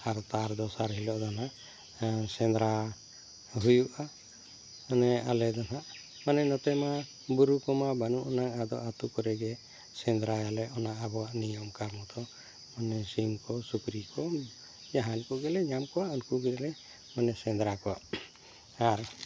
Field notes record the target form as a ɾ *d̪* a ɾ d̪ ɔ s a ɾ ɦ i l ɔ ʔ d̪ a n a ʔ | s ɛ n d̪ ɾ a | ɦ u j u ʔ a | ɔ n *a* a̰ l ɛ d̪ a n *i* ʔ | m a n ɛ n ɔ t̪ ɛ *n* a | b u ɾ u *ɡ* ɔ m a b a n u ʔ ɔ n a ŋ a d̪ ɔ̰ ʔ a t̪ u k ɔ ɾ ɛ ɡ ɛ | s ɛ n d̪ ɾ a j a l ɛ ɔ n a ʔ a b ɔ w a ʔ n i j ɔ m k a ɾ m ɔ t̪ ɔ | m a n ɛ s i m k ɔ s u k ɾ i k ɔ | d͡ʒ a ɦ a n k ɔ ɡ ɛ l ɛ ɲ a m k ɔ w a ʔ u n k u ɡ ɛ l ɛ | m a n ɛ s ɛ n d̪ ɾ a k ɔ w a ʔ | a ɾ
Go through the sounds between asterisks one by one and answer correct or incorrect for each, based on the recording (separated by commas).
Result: incorrect, incorrect, incorrect, incorrect, incorrect